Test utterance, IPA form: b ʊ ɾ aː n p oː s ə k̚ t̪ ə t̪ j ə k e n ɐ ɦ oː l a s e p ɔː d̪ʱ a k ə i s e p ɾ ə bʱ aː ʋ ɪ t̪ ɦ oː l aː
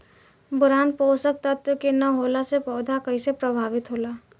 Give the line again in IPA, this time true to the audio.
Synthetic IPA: b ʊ ɾ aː n p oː s ə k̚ t̪ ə t̪ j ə k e n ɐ ɦ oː l a s e p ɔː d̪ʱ a k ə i s e p ɾ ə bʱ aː ʋ ɪ t̪ ɦ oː l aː